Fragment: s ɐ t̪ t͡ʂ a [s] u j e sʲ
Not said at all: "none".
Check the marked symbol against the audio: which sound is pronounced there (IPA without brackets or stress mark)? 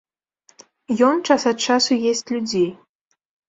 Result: s